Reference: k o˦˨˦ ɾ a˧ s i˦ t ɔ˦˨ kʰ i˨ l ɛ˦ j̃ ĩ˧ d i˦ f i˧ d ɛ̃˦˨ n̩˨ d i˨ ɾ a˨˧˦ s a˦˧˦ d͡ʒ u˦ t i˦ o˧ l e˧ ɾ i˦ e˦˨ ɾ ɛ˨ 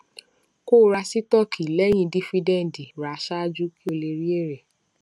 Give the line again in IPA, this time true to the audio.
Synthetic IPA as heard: k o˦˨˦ ɾ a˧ s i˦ t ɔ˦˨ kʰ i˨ l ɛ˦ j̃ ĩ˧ d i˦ f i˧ d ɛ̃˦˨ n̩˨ d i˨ ɾ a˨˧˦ ʃ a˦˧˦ d͡ʒ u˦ k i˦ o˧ l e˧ ɾ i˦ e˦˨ ɾ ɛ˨